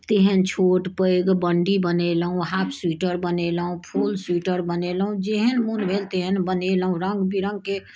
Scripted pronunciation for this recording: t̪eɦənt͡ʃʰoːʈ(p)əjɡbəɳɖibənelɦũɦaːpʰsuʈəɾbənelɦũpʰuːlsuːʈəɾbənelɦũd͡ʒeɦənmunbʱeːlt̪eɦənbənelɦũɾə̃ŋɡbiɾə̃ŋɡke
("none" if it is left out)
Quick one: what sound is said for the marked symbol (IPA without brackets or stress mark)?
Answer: p